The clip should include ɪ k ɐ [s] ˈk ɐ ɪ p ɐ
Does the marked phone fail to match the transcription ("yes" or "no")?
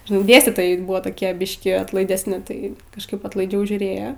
yes